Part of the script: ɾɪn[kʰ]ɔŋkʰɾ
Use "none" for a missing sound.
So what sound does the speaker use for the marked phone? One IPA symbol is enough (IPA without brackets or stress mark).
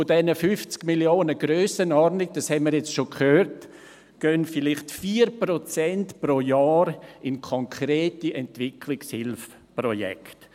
kʰ